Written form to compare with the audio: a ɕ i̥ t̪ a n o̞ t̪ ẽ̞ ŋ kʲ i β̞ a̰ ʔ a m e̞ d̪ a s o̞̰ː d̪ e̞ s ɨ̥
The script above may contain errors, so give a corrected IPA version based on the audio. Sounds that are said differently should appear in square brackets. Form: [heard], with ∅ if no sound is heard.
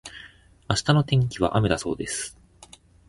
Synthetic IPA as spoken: a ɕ i̥ t̪ a n o̞ t̪ ẽ̞ ŋ kʲ i β̞ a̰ ʔ a m e̞ d̪ a s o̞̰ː d̪ e̞ s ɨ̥